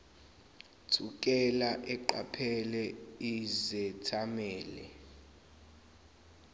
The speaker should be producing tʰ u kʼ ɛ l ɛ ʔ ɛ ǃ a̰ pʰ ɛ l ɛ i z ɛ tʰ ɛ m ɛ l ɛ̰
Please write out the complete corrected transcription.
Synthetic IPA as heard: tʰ u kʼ ɛ l a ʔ ɛ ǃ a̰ pʰ ɛ l ɛ i z ɛ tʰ a m ɛː l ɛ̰